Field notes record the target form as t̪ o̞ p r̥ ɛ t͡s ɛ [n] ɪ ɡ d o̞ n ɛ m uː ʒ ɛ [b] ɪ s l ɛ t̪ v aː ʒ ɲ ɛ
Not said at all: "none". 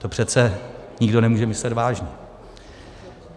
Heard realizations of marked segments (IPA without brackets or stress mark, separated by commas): ɲ, m